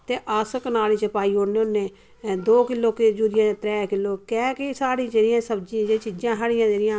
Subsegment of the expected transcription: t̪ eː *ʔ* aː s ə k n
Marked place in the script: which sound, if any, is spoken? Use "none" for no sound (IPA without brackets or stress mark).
ʔ